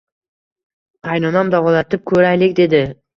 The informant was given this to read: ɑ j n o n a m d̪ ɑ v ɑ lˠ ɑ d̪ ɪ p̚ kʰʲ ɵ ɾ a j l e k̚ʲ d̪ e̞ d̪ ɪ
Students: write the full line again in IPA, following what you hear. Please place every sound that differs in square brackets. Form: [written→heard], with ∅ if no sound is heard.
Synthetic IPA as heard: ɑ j n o n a m d̪ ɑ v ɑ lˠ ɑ [d̪→t̪] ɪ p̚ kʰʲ ɵ ɾ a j l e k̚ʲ d̪ e̞ d̪ ɪ